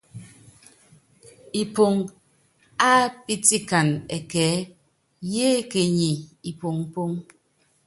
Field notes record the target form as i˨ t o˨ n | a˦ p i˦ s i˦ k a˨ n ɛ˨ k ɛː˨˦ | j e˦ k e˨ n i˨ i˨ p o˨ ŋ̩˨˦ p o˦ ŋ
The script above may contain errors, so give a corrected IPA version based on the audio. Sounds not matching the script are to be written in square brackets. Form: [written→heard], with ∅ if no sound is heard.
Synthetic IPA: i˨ [t→p] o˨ [n→ŋ] | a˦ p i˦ [s→t] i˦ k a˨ n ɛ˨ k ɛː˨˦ | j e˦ k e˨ [n→ɲ] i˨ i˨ p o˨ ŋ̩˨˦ p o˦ ŋ